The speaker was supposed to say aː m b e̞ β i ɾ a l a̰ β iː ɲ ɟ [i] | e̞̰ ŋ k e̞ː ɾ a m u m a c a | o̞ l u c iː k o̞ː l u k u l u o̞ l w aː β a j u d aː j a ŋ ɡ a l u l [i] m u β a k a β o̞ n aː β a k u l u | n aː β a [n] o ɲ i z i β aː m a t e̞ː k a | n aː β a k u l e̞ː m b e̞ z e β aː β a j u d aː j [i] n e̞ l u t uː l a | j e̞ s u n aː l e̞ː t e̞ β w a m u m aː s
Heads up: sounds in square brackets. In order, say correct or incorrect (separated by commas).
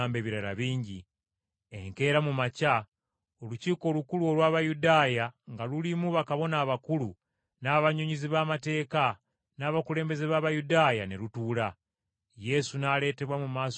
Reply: correct, correct, incorrect, incorrect